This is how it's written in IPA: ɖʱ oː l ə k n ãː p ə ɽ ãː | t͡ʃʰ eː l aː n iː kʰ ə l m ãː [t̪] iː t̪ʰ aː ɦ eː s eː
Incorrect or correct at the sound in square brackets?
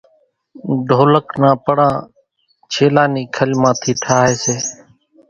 incorrect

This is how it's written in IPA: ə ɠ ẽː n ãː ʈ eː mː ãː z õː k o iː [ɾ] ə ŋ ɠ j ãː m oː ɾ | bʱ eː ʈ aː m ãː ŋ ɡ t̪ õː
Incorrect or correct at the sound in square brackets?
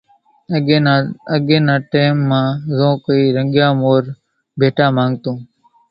correct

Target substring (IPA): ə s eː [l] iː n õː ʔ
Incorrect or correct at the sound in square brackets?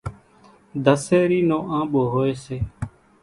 incorrect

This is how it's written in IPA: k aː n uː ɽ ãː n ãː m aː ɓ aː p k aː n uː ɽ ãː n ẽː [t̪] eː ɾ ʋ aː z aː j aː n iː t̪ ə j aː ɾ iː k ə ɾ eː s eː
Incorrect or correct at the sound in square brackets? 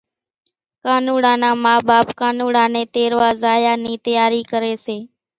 correct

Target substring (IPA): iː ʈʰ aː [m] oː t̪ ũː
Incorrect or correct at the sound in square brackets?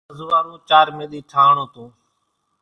incorrect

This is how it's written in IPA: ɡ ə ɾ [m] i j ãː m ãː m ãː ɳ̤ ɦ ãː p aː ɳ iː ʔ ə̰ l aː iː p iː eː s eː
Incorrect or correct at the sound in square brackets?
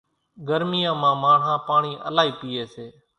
correct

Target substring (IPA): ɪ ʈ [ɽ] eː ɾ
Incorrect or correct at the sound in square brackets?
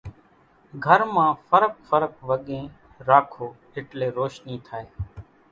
incorrect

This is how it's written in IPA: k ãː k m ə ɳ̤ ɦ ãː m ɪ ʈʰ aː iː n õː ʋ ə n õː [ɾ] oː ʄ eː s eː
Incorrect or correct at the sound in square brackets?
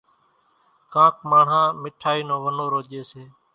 correct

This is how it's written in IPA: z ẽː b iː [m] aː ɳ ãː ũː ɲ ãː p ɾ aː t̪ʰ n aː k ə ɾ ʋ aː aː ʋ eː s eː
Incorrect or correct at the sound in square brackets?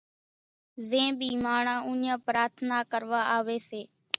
correct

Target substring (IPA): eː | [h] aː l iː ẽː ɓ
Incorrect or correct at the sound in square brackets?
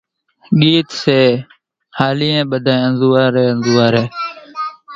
correct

